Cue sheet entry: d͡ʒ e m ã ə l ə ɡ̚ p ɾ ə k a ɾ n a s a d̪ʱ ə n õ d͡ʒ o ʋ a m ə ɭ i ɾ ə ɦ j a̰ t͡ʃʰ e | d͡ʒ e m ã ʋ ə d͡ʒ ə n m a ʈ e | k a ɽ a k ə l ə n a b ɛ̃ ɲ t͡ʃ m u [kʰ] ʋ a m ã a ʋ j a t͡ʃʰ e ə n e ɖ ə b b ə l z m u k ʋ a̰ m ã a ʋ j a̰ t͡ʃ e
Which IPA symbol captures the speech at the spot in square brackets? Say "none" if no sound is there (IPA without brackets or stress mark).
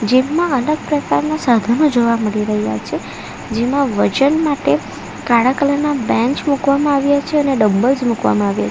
k